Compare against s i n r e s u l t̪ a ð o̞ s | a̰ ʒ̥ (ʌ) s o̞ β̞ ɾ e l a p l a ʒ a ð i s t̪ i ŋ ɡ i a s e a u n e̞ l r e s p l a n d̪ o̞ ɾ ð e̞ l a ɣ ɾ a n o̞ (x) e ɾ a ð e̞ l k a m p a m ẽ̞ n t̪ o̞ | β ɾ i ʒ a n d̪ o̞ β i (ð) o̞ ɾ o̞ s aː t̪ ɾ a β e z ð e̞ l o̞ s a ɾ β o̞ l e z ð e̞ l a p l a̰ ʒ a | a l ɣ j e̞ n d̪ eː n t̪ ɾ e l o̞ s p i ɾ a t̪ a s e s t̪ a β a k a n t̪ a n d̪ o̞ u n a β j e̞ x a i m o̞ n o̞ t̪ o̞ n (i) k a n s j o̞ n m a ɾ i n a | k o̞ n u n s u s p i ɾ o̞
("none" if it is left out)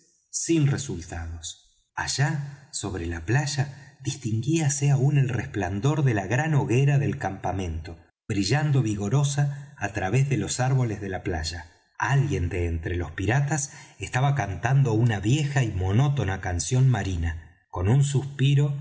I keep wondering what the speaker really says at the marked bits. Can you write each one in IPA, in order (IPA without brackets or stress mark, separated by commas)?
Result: a, ɣ, ɣ, a